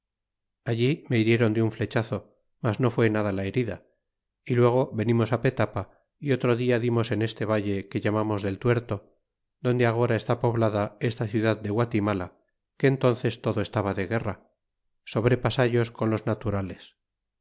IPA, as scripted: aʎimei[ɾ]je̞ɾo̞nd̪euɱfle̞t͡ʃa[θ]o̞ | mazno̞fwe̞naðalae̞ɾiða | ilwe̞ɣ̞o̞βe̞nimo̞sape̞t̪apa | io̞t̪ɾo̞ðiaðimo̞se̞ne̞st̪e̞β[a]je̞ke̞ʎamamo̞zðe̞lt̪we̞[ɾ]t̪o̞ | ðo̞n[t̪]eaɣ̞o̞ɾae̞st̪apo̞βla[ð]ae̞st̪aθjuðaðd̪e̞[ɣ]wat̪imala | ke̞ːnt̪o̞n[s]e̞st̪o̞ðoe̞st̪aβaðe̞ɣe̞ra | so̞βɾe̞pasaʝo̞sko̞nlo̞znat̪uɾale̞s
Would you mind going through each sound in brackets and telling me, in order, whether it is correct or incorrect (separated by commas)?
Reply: correct, correct, correct, correct, incorrect, correct, correct, incorrect